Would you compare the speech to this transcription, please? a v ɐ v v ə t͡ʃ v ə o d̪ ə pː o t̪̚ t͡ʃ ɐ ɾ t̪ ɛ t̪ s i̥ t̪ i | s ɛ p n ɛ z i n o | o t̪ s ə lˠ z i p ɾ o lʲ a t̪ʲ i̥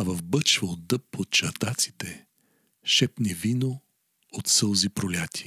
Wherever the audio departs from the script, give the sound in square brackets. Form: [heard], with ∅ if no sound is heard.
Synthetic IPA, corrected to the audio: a v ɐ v [b] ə t͡ʃ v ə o d̪ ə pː o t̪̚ t͡ʃ ɐ ɾ t̪ [a] t̪ s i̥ t̪ [ɛ] | [ʃ] ɛ p n ɛ [v] i n o | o t̪ s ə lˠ z i p ɾ o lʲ a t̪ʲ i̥